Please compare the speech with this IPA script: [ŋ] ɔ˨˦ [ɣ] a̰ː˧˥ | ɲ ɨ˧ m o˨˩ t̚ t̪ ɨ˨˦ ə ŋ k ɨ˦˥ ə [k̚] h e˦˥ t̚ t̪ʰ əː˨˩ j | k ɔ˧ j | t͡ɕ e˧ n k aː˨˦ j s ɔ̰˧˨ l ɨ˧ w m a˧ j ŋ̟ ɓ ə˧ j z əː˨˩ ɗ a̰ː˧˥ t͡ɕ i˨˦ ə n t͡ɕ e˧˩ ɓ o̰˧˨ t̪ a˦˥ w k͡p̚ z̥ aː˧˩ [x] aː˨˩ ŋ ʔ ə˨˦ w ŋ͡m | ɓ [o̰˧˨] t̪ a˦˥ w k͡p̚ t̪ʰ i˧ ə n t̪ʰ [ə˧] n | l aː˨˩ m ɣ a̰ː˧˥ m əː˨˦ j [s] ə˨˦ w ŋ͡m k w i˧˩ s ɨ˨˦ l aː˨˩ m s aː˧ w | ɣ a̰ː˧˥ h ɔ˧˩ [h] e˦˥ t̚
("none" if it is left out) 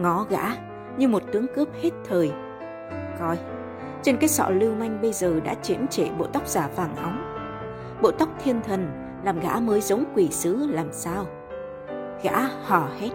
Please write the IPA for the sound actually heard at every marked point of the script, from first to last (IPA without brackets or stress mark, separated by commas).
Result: ŋ, ɣ, p̚, f, o̰˧˨, ə˨˩, z, h